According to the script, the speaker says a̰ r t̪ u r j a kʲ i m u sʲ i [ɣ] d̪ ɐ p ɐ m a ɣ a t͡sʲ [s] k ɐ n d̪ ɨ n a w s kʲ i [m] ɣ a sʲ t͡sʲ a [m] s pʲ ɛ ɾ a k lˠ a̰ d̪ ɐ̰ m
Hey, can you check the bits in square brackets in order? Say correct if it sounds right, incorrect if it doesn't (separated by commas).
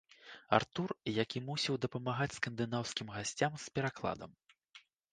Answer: incorrect, correct, correct, correct